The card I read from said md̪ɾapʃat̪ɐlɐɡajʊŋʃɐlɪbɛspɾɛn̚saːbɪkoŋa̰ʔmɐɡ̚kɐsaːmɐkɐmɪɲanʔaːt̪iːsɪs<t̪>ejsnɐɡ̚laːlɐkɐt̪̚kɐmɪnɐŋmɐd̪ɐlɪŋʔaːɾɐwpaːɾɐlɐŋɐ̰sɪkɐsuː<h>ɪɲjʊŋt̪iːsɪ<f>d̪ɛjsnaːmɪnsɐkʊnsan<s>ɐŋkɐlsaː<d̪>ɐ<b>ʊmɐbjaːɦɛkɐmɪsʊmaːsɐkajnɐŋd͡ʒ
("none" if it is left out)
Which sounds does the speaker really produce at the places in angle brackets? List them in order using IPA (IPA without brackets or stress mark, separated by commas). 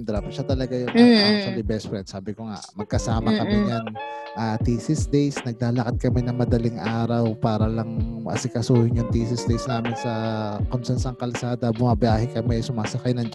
d̪, h, s, s, d̪, b